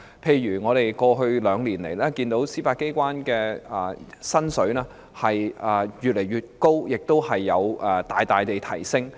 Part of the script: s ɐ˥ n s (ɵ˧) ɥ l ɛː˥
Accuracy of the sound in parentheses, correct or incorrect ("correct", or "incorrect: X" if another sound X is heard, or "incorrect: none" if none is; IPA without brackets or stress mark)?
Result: incorrect: ɵ˨˥